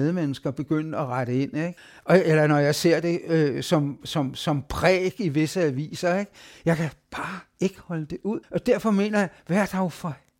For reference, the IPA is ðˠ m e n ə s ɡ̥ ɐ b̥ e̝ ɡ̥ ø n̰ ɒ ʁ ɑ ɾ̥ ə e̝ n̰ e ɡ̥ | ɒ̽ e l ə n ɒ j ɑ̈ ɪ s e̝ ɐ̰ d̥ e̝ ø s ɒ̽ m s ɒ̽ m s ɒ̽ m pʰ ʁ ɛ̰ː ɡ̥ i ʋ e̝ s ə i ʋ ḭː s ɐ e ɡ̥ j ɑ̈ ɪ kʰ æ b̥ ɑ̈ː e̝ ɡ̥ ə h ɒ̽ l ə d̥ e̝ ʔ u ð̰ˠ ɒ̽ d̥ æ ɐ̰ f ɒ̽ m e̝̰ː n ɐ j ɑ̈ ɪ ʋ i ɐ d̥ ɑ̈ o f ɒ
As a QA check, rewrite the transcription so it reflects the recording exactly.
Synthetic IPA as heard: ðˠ m e n ə s ɡ̥ ɐ b̥ e̝ ɡ̥ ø n̰ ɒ ʁ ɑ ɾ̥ ə e̝ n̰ e ɡ̥ | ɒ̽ e l ɐ n ɒ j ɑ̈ ɪ s e̝ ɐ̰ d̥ e̝ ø s ɒ̽ m s ɒ̽ m s ɒ̽ m pʰ ʁ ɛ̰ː ɡ̥ i ʋ e̝ s ə æ ʋ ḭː s ɐ e ɡ̥ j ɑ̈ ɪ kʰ æ b̥ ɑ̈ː e̝ ɡ̥ ə h ɒ̽ l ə d̥ e̝ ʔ u ð̰ˠ ɒ̽ d̥ æ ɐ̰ f ɒ̽ m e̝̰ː n ɐ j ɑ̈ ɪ ʋ æ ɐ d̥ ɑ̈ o f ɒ